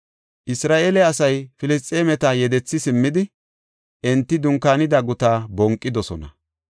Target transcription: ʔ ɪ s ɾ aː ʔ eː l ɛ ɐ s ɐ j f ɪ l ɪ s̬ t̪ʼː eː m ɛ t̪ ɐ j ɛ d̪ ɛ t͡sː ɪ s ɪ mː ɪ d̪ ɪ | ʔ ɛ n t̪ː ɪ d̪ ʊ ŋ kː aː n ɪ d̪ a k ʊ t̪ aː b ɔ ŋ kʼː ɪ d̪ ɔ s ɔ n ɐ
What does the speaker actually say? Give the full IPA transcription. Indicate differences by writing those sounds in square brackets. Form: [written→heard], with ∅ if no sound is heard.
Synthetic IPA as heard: ʔ ɪ s ɾ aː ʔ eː l ɛ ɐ s ɐ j f ɪ l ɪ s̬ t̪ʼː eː m ɛ t̪ ɐ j ɛ d̪ ɛ t͡sː ɪ s ɪ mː ɪ d̪ ɪ | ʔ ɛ n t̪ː ɪ d̪ ʊ ŋ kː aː n ɪ d̪ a [k→ɡ] ʊ t̪ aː b ɔ ŋ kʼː ɪ d̪ ɔ s ɔ n ɐ